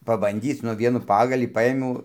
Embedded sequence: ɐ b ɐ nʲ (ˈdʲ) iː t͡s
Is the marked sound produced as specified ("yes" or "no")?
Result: yes